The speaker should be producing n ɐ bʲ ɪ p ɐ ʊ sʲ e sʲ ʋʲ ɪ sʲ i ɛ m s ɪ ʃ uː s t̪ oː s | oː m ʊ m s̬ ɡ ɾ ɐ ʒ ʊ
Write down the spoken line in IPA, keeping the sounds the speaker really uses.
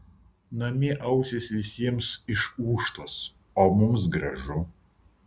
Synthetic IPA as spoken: n ɐ mʲ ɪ ʔ ɐ ʊ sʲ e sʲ ʋʲ ɪ sʲ i ɛ m s ɪ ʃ uː ʃ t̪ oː s | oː m ʊ m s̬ ɡ ɾ ɐ ʒ ʊ